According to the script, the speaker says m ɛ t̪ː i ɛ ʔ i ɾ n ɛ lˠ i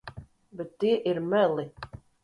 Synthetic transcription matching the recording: b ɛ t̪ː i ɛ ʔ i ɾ m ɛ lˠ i